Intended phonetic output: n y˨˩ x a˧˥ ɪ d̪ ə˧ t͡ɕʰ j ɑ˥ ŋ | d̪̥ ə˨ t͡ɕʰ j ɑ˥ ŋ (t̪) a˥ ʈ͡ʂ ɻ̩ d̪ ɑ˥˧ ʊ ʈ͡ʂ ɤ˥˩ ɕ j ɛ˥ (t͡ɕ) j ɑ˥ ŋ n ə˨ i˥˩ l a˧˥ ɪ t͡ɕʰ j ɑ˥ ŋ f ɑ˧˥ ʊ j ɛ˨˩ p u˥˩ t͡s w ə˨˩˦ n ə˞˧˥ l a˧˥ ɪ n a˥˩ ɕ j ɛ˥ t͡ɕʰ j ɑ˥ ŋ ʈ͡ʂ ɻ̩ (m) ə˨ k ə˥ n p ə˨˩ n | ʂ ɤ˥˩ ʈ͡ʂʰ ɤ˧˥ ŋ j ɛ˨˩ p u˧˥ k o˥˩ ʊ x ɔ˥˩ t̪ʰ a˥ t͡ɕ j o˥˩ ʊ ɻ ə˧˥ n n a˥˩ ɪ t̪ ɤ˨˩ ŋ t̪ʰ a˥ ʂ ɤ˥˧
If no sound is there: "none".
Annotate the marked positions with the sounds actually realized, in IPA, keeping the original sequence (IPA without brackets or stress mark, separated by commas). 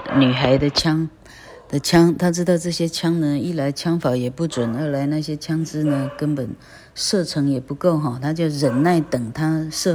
t̪ʰ, t͡ɕʰ, n